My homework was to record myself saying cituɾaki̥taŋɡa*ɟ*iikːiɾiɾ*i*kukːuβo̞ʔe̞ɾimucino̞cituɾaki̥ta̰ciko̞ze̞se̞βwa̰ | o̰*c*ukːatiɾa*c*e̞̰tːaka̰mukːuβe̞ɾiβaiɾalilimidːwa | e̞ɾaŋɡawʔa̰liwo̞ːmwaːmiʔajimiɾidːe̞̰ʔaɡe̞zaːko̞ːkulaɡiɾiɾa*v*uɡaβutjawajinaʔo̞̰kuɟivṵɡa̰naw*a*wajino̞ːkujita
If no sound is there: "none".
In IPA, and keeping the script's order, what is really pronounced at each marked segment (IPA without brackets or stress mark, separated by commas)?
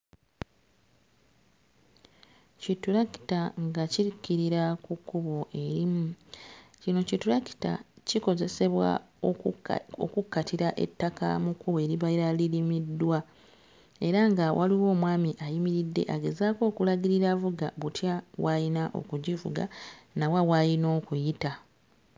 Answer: c, a, k, ʔ, v, a